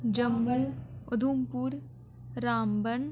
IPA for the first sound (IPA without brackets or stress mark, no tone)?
d͡ʒ